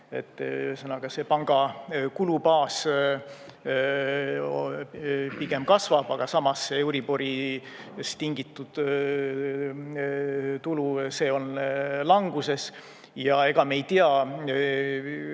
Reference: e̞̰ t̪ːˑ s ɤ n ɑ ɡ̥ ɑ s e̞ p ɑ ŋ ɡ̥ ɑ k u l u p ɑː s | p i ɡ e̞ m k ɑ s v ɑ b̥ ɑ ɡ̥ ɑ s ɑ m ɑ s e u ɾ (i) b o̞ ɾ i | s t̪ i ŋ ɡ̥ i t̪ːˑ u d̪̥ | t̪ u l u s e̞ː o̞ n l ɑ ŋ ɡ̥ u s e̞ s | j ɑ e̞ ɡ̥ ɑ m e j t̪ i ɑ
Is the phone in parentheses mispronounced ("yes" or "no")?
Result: no